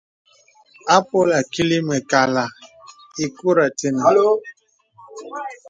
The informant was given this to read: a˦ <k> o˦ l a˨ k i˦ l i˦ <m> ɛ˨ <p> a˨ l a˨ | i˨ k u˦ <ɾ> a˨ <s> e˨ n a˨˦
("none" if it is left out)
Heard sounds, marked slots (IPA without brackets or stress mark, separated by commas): p, m, k, ɾ, t